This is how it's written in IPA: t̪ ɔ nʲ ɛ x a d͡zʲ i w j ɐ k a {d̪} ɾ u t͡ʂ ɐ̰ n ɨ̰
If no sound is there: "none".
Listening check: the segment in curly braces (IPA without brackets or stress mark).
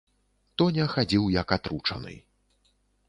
t̪